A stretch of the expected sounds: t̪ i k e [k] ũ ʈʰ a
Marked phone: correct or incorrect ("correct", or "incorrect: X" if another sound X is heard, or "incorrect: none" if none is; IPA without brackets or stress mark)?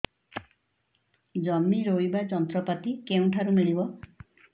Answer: incorrect: none